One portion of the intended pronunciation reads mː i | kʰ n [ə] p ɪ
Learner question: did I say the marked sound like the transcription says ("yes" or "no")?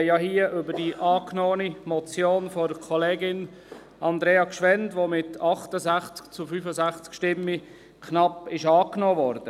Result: no